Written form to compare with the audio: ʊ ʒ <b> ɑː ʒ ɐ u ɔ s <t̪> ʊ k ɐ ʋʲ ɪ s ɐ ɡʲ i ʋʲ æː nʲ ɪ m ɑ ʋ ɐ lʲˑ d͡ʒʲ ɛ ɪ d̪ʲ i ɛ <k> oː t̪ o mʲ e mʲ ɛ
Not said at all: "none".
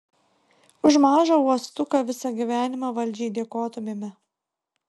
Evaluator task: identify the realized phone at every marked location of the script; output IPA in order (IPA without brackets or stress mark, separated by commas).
m, t̪, k